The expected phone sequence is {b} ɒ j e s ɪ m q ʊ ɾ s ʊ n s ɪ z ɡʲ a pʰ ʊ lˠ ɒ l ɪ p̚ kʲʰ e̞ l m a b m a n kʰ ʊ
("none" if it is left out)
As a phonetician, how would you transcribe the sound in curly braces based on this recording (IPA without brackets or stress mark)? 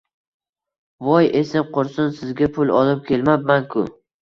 v